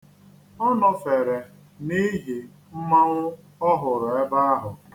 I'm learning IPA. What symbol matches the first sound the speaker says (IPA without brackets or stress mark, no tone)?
ɔ